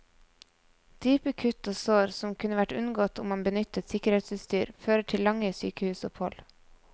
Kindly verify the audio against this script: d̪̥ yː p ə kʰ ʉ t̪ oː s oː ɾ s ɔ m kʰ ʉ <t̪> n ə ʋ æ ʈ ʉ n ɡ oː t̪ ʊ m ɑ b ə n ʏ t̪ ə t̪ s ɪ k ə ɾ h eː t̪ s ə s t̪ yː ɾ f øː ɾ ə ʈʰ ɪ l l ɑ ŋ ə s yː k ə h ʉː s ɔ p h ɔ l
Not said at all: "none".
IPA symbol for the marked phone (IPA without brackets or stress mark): none